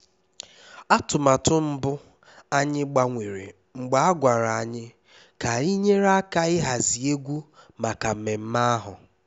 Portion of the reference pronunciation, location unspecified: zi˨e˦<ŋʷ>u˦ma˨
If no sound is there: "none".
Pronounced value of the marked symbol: ɡʷ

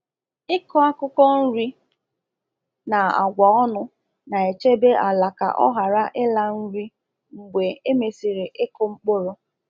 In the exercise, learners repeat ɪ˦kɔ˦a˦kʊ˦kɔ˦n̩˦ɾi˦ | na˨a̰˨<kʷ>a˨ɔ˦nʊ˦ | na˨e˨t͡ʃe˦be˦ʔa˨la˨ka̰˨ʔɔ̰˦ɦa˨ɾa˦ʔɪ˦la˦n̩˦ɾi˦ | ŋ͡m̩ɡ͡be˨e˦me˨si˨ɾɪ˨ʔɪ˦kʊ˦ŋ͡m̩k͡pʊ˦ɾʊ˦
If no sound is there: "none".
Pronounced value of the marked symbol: ɡʷ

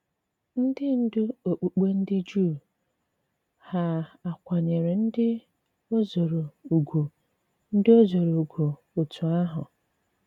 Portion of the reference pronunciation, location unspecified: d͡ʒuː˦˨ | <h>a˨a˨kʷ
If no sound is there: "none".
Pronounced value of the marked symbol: h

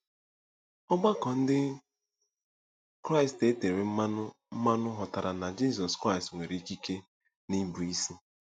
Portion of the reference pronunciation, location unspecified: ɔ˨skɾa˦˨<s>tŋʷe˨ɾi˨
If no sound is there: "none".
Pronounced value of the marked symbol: s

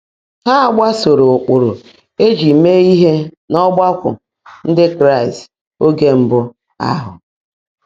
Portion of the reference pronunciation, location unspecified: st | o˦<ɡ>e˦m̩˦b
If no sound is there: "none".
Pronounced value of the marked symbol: ɡ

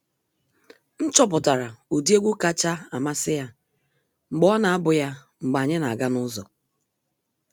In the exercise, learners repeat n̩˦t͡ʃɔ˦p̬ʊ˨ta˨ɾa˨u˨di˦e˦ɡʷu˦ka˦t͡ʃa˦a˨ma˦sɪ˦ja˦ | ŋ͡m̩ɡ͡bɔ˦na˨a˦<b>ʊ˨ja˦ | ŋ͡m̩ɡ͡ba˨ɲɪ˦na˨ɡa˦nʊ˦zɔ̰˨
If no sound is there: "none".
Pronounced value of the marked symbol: b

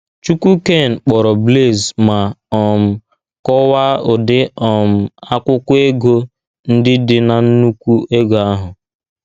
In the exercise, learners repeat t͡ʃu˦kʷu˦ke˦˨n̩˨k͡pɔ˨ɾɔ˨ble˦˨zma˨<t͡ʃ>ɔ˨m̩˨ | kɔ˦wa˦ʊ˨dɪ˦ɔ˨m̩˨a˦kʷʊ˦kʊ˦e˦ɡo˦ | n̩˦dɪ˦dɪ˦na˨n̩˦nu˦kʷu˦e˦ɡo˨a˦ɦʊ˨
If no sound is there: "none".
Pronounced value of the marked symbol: none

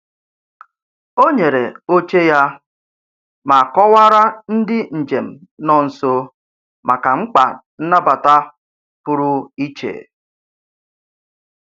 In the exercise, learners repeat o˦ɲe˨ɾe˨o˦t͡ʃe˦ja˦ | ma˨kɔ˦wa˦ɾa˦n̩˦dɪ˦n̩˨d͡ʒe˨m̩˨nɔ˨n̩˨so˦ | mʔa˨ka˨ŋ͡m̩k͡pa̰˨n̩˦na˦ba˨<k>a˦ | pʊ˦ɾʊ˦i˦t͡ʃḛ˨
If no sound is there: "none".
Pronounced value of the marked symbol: t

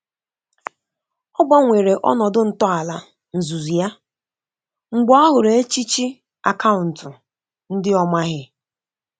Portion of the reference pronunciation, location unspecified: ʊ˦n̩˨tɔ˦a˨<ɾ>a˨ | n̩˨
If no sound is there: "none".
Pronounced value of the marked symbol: l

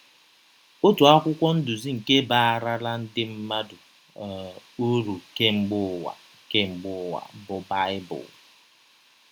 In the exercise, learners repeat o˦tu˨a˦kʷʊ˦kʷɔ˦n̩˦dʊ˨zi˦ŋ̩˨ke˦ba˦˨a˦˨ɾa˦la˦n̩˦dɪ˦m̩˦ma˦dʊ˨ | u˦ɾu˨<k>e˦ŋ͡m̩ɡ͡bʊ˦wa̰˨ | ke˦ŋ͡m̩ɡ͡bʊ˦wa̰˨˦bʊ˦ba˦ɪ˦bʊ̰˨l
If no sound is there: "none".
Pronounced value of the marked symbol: k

